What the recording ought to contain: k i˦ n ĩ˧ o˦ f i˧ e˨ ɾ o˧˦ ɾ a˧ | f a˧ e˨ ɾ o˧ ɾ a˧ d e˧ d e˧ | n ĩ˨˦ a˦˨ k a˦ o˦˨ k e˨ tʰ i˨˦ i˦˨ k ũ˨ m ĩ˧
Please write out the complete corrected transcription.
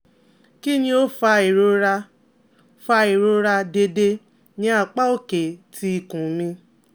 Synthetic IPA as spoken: k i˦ n ĩ˧ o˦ f a˧ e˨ ɾ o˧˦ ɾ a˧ | f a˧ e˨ ɾ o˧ ɾ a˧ d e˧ d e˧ | n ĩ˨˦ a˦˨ k͡p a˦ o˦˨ k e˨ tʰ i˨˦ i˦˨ k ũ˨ m ĩ˧